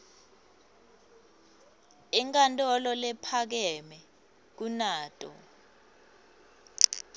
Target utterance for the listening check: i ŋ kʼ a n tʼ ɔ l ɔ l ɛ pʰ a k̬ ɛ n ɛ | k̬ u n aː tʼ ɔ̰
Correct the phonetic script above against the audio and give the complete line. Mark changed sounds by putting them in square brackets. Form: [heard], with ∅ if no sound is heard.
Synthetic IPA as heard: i ŋ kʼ a n tʼ ɔ l ɔ l ɛ pʰ a k̬ ɛ [m] ɛ | k̬ u n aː tʼ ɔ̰